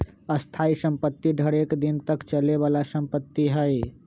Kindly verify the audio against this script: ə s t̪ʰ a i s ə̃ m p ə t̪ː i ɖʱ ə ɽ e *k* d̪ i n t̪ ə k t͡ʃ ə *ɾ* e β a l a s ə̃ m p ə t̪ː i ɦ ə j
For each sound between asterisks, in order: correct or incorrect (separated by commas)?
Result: correct, incorrect